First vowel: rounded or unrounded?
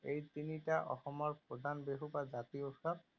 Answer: unrounded